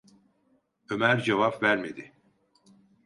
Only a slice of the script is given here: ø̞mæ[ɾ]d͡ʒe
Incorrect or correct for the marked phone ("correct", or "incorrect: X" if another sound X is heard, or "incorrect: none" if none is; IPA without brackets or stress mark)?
correct